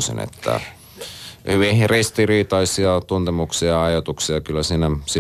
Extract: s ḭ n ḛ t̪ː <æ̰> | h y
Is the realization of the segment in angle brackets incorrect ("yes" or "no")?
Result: no